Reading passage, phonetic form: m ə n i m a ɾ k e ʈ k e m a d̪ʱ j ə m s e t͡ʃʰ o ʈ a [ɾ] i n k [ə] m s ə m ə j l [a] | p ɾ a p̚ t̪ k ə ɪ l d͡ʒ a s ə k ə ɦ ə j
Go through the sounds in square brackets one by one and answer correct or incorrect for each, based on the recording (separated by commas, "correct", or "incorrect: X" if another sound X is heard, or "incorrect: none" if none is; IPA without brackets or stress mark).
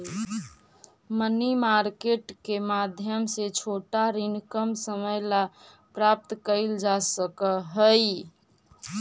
correct, correct, correct